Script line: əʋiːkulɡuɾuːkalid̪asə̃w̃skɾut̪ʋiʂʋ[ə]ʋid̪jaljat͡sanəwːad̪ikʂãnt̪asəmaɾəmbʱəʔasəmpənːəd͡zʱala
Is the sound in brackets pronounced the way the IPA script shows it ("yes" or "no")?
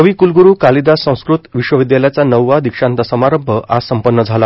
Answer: yes